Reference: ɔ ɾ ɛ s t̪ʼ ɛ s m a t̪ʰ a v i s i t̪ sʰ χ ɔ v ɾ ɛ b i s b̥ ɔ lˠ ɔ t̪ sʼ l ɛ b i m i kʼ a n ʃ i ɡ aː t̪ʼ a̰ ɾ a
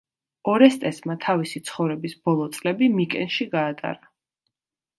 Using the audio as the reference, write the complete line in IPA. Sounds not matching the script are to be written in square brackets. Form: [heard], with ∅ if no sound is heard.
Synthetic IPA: ɔ ɾ ɛ s t̪ʼ ɛ s m a t̪ʰ a v i s i t̪ sʰ χ ɔ v ɾ ɛ b i s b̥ ɔ lˠ ɔ t̪ sʼ l ɛ b i m i kʼ [ɛ] n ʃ i ɡ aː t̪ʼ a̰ ɾ a